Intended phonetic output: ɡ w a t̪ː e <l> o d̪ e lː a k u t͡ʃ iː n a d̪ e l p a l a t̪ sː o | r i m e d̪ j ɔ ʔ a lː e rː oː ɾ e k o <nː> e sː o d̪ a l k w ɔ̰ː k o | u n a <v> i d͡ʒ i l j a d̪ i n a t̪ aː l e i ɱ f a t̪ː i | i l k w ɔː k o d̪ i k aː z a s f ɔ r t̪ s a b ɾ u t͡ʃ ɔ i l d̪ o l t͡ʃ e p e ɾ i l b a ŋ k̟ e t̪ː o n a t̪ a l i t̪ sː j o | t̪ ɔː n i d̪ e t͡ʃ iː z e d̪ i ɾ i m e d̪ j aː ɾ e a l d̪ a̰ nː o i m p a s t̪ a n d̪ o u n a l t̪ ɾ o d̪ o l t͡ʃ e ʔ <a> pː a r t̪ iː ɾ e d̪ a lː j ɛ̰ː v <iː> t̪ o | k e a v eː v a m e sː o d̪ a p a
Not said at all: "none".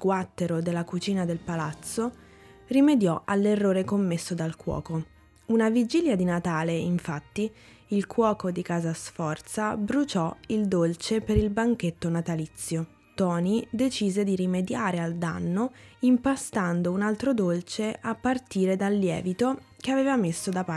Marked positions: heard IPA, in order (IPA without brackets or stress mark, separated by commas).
ɾ, mː, v, a, i